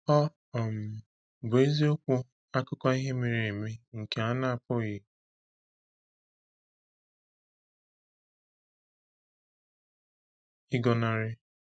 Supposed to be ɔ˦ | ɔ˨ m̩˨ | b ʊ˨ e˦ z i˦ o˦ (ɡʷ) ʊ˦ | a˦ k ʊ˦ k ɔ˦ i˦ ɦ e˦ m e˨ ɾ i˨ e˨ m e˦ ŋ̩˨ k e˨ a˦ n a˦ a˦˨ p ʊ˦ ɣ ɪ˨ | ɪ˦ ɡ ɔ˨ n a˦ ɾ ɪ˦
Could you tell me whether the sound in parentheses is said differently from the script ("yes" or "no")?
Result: yes